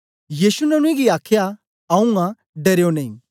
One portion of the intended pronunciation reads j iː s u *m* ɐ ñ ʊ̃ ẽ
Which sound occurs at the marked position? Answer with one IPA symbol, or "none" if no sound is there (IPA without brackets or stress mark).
n